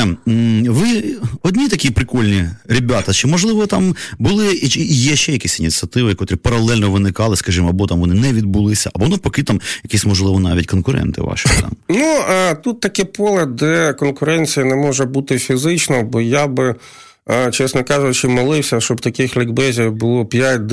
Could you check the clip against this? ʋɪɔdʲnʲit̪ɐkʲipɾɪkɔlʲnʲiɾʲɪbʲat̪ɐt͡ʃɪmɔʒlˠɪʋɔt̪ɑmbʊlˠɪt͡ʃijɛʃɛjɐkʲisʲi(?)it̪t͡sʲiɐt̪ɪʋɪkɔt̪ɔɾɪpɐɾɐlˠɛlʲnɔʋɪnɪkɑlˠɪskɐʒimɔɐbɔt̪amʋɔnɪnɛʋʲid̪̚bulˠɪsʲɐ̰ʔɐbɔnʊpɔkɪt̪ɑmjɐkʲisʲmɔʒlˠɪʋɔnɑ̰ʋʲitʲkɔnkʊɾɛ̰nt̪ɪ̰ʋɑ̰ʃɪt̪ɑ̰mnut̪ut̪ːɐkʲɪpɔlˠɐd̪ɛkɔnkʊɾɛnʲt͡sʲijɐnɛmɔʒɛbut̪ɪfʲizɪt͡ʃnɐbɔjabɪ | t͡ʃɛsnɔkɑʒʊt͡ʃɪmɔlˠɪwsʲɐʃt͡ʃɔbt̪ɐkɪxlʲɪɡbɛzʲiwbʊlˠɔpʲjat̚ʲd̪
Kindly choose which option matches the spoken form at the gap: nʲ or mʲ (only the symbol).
nʲ